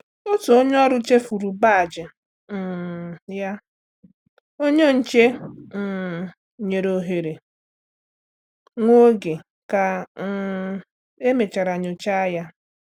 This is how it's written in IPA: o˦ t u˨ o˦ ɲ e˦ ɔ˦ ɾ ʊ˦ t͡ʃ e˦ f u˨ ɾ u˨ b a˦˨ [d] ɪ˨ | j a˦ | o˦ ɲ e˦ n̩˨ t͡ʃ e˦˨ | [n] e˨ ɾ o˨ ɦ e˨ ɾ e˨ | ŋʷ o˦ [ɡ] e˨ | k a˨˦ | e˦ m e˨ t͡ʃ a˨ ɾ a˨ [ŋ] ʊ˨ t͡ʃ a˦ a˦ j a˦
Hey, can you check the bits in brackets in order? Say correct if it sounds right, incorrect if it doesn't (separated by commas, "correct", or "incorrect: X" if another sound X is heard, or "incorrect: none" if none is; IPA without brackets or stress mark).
incorrect: d͡ʒ, incorrect: ɲ, correct, incorrect: ɲ